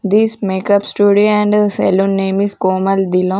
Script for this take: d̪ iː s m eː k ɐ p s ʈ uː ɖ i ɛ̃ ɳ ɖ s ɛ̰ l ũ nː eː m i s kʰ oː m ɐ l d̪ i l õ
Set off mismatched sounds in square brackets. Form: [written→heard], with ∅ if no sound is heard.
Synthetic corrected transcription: d̪ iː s m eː k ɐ p s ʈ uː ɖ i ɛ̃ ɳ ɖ s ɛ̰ l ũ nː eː m i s [kʰ→k] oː m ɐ l d̪ i l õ

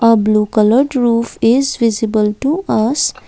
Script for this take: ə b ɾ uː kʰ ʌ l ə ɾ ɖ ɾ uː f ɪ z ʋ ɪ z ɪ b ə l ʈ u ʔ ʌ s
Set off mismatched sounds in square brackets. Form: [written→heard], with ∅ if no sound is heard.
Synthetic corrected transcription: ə b [ɾ→l] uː [kʰ→k] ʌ l ə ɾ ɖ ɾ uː f ɪ z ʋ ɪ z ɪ b ə l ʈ u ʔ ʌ s

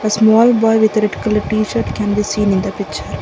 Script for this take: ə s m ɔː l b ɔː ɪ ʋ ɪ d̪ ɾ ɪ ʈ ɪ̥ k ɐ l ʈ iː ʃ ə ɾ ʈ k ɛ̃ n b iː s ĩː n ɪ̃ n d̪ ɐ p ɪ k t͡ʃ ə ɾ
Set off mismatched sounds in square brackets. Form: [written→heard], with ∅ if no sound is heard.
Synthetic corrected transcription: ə s m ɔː l b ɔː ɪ ʋ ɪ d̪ ɾ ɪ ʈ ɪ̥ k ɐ l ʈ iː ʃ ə ɾ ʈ k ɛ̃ n b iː s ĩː n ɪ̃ n d̪ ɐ p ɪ k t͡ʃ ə ɾ

